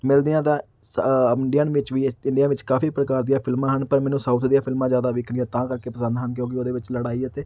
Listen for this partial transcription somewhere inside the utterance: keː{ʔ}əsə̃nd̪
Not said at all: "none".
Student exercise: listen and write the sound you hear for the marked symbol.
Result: p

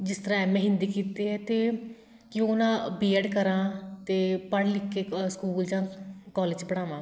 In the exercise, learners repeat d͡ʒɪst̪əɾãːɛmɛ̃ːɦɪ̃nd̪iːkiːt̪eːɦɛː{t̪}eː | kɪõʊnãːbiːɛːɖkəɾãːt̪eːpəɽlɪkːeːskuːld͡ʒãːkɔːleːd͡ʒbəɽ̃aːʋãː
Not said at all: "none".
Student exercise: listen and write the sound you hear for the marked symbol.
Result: t̪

